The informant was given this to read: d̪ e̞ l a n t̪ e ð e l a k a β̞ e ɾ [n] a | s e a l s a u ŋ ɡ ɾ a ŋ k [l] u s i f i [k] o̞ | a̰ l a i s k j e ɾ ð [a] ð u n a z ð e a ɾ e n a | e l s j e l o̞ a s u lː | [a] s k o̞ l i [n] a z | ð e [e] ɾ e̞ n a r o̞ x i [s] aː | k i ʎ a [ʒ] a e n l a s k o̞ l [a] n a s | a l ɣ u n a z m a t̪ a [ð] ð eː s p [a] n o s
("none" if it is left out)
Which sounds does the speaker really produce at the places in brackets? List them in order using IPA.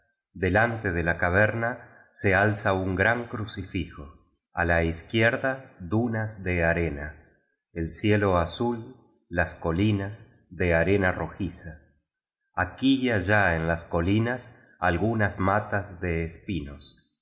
n, ɾ, x, a, a, n, a, s, ʒ, i, z, i

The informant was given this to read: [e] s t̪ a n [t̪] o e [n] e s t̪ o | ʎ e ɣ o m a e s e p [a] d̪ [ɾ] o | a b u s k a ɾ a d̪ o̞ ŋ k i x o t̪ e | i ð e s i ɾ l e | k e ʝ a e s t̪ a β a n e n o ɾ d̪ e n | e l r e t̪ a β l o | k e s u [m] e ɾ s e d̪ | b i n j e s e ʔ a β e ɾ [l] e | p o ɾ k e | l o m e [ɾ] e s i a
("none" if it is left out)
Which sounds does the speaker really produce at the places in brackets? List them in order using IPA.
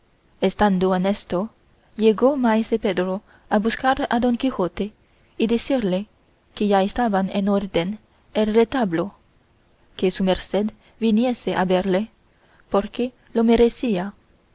e, d̪, n, e, ɾ, m, l, ɾ

